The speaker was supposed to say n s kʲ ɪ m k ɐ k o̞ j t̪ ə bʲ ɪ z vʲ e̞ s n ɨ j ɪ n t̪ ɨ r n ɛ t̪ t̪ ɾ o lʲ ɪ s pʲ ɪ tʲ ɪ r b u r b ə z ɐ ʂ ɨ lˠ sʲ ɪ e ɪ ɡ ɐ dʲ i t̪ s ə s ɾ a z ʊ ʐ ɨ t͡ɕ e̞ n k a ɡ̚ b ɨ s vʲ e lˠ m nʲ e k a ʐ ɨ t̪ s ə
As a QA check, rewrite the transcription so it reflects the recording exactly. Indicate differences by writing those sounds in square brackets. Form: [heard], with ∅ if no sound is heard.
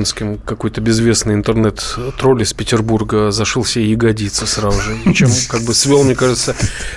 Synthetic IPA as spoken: n s kʲ ɪ m k ɐ k o̞ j t̪ ə bʲ ɪ z vʲ e̞ s n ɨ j ɪ n t̪ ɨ r n ɛ t̪ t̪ ɾ o lʲ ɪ s pʲ ɪ tʲ ɪ r b u r [ɡ] ə z ɐ ʂ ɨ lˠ sʲ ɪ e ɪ ɡ ɐ dʲ i t̪ s ə s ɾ a z ʊ ʐ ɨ t͡ɕ e̞ [m] k a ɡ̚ b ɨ s vʲ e lˠ m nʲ e k a ʐ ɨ t̪ s ə